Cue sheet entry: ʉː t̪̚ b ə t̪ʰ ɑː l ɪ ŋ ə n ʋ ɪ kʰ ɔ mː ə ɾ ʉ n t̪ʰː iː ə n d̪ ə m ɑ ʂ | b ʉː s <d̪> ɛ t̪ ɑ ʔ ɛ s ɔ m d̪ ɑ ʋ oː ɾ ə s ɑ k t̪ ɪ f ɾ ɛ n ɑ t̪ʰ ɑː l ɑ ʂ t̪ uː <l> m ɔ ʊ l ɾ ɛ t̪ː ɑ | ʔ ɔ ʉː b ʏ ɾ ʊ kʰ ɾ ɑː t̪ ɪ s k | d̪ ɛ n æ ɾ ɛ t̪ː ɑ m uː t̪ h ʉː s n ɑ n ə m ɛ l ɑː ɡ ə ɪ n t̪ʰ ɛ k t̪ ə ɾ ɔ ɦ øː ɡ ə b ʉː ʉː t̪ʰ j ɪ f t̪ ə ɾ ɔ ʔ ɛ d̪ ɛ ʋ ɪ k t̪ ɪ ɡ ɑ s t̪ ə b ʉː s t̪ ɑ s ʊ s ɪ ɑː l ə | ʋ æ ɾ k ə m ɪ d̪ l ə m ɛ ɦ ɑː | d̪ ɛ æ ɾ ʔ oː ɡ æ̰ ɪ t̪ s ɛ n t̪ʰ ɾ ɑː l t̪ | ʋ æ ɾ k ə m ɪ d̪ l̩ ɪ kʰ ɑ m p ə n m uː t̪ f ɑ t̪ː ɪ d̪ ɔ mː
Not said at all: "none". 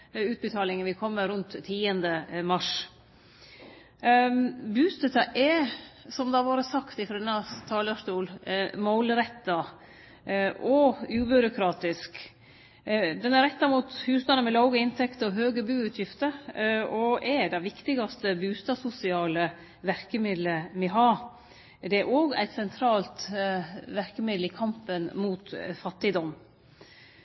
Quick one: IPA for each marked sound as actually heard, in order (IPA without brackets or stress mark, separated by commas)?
t̪, l